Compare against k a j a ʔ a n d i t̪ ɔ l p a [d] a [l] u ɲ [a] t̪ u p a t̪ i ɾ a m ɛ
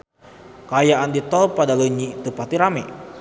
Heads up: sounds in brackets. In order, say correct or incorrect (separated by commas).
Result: correct, correct, incorrect